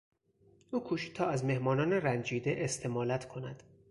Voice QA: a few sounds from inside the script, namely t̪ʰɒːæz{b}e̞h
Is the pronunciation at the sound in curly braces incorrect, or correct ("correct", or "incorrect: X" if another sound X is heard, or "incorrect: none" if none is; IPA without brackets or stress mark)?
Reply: incorrect: m